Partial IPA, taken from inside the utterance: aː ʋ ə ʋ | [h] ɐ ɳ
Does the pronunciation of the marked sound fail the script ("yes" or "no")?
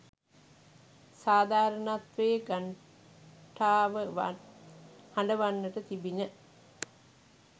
no